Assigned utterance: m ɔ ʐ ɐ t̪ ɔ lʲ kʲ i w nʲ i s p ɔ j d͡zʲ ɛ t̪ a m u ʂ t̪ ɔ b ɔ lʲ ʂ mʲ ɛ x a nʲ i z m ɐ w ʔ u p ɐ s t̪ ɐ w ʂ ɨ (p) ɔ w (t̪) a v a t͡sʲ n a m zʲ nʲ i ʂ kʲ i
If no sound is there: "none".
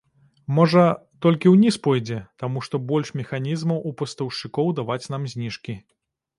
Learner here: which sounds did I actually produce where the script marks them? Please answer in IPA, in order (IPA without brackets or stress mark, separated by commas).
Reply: k, d̪